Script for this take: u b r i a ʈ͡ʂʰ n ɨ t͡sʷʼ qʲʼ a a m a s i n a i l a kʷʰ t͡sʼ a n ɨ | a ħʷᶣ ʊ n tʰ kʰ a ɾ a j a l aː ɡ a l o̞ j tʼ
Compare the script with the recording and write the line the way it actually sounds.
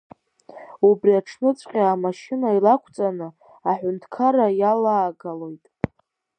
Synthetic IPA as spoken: u b r i a ʈ͡ʂʰ n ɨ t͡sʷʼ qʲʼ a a m a ʃ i n a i l a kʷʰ t͡sʼ a n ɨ | a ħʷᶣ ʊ n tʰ kʰ a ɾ a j a l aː ɡ a l o̞ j tʼ